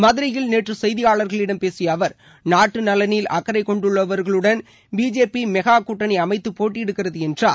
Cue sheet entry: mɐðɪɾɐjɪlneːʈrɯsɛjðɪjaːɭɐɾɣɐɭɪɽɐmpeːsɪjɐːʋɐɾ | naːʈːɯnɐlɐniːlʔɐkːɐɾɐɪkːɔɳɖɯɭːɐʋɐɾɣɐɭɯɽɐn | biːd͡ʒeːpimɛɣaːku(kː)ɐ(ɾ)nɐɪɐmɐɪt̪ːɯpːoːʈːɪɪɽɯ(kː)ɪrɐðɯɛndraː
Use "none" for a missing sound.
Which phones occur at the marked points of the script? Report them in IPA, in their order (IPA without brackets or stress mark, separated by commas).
ʈː, none, kː